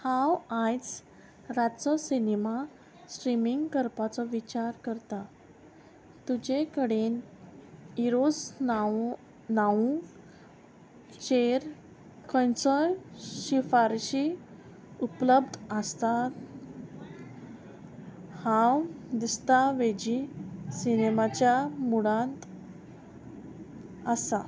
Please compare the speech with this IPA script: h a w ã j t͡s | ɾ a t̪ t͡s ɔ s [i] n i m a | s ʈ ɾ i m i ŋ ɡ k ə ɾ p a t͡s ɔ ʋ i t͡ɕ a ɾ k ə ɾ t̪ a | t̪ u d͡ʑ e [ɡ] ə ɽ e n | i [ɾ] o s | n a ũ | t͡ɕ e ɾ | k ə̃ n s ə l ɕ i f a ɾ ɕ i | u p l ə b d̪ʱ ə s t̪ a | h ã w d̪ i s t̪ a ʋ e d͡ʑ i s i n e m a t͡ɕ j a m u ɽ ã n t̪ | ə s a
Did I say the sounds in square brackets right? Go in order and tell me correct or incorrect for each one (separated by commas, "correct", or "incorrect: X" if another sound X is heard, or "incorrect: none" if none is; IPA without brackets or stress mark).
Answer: correct, incorrect: k, correct